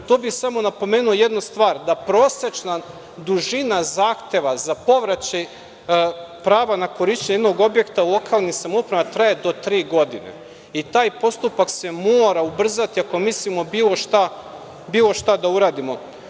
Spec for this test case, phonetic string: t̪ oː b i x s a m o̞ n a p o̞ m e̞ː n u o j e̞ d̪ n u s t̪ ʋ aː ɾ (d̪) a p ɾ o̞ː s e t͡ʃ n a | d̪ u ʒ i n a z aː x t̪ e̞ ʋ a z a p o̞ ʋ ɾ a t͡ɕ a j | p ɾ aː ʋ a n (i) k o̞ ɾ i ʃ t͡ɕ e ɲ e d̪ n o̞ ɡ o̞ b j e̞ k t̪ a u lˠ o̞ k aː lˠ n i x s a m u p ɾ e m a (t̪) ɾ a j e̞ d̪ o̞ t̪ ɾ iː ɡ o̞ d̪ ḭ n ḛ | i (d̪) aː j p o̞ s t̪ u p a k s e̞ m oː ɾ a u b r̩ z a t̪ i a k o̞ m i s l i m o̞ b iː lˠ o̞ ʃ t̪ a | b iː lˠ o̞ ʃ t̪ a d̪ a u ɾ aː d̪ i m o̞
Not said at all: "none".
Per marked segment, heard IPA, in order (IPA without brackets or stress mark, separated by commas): d̪, a, t̪, t̪